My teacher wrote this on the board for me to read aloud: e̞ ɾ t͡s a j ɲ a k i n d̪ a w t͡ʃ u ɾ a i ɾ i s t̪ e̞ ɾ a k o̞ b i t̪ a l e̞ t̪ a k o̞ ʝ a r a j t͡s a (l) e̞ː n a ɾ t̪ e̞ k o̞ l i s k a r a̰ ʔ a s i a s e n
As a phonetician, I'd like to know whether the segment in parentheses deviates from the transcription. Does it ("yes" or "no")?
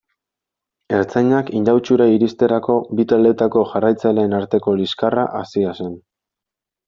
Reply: no